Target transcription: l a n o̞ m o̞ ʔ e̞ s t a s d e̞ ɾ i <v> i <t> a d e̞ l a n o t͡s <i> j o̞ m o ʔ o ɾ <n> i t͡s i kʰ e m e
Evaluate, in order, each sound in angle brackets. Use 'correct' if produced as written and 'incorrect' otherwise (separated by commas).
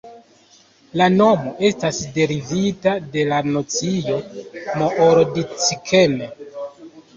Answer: correct, correct, correct, incorrect